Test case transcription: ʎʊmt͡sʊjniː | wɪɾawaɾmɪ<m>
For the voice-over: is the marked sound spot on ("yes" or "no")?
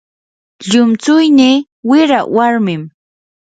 yes